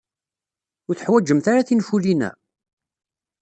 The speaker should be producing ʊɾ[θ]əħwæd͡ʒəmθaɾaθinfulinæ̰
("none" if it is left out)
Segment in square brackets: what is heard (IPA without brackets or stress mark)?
θ